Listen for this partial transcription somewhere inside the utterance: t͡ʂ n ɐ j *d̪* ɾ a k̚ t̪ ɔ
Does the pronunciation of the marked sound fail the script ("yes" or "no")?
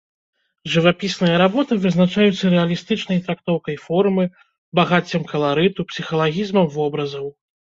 yes